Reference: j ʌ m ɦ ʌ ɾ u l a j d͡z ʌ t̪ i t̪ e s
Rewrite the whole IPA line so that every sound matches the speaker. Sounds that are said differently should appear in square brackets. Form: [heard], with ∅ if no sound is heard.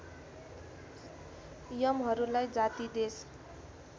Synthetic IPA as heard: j ʌ m ɦ ʌ ɾ u l a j d͡z [a] t̪ i [d̪] e s